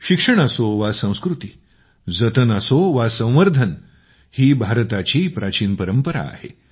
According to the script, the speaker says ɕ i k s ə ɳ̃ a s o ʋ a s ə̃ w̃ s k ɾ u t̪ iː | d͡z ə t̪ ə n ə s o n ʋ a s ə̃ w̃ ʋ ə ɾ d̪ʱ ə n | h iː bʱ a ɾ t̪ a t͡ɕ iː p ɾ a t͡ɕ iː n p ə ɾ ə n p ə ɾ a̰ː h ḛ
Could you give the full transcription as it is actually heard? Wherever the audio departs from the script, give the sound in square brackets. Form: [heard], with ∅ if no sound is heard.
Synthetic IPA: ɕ i k [ʂ] ə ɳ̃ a s o ʋ a s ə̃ w̃ s k ɾ u t̪ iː | d͡z ə t̪ ə n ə s o [∅] ʋ a s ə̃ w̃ ʋ ə ɾ d̪ʱ ə n | h iː bʱ a ɾ t̪ a t͡ɕ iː p ɾ a t͡ɕ iː n p ə ɾ ə [m] p ə ɾ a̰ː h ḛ